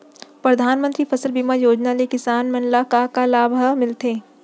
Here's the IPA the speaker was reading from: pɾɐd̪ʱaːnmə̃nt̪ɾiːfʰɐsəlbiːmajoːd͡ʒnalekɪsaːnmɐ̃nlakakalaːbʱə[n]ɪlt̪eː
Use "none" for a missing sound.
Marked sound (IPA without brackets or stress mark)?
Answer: m